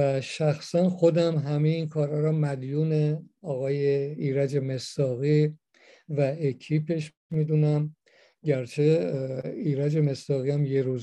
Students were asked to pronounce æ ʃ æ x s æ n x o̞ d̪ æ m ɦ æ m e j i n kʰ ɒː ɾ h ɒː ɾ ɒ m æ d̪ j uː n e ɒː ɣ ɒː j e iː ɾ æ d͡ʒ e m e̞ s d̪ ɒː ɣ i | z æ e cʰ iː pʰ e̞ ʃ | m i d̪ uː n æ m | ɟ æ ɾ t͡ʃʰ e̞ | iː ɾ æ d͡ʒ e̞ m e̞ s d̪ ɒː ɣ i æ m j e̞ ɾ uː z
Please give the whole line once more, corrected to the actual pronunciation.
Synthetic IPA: æ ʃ æ x s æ n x o̞ d̪ æ m ɦ æ m e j i n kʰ ɒː ɾ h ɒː ɾ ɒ m æ d̪ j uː n e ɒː ɣ ɒː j e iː ɾ æ d͡ʒ e m e̞ s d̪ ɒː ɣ i | v æ e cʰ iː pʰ e̞ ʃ | m i d̪ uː n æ m | ɟ æ ɾ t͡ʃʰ e̞ | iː ɾ æ d͡ʒ e̞ m e̞ s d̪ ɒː ɣ i æ m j e̞ ɾ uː z